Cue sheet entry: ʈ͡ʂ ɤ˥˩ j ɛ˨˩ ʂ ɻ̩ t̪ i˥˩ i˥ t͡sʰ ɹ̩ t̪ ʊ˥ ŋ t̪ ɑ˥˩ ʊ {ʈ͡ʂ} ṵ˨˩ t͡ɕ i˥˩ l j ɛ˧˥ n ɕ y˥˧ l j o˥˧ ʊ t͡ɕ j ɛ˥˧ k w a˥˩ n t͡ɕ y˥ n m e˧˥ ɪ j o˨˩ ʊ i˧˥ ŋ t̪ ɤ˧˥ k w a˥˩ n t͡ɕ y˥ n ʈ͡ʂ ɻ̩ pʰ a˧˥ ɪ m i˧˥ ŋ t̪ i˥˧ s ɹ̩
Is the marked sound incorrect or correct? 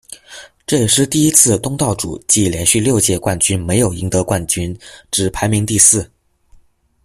correct